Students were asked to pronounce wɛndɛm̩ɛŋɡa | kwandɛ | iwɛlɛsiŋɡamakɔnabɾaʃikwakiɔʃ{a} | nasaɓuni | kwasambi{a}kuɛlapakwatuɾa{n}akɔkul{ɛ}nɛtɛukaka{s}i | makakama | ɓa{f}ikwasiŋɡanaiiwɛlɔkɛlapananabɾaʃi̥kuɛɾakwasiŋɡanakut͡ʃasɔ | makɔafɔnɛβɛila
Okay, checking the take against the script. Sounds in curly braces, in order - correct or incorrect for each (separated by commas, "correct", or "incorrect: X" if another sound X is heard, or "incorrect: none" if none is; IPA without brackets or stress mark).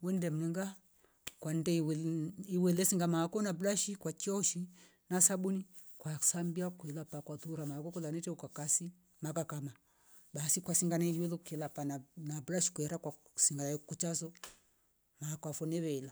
incorrect: i, correct, incorrect: m, incorrect: a, correct, incorrect: s